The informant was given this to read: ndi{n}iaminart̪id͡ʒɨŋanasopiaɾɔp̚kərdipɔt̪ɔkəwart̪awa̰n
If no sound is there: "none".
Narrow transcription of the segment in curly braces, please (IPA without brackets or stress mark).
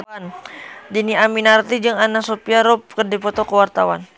n